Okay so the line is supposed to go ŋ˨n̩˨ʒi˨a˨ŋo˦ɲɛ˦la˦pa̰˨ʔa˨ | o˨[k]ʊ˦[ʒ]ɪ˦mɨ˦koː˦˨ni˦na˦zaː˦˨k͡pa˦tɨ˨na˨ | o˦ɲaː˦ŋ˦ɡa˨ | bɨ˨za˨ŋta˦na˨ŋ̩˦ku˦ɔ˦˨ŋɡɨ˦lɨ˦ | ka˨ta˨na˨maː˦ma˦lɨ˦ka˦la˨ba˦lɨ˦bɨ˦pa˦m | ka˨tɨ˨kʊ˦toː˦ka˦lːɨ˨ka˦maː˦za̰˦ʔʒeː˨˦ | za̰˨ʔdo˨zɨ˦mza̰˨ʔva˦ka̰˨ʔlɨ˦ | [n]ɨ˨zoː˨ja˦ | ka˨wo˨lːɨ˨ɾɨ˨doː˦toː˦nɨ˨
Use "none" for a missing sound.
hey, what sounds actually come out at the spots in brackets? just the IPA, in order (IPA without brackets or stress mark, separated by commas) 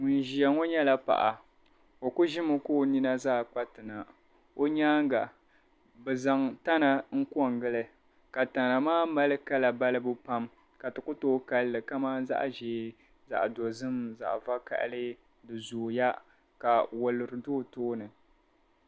k, ʒ, d